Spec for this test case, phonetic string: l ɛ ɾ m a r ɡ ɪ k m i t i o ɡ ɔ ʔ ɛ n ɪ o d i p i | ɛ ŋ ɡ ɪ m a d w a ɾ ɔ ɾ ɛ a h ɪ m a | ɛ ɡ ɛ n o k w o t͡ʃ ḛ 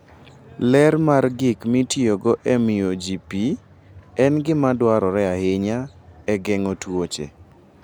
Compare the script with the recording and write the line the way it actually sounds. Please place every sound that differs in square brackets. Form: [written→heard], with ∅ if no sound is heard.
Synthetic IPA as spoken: l ɛ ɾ m a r ɡ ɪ k m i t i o ɡ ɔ ʔ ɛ [n→m] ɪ o [d→d͡ʒ] i p i | ɛ [ŋ→n] ɡ ɪ m a d w a ɾ ɔ ɾ ɛ a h ɪ [m→ɲ] a | ɛ ɡ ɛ [n→ŋ] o [k→t] w o t͡ʃ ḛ